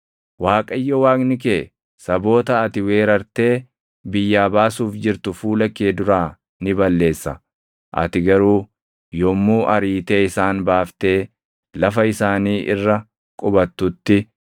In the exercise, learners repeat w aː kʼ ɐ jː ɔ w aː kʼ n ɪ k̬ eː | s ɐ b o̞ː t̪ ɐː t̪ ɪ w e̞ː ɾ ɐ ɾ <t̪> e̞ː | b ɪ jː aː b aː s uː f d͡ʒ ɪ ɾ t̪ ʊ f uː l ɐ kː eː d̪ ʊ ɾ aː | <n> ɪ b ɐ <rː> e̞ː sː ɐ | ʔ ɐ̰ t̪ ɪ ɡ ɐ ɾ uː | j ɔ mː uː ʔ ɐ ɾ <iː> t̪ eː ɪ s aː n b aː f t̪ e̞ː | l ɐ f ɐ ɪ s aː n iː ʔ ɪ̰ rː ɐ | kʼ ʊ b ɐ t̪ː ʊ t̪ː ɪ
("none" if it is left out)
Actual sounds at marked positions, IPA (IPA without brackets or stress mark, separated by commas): t̪, n, lː, iː